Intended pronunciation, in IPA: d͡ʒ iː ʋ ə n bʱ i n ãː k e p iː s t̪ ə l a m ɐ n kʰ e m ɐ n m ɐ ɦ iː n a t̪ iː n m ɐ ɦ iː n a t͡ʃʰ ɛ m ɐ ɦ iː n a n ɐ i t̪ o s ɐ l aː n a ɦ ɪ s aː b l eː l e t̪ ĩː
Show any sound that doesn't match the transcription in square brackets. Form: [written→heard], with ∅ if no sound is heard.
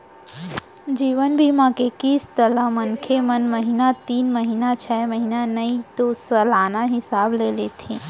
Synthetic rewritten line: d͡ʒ iː ʋ ə n bʱ i [n→m] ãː k e [p→k] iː s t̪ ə l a m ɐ n kʰ e m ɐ n m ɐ ɦ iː n a t̪ iː n m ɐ ɦ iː n a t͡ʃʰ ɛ m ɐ ɦ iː n a n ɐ i t̪ o s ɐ l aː n a ɦ ɪ s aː b l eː l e [t̪→t̪ʰ] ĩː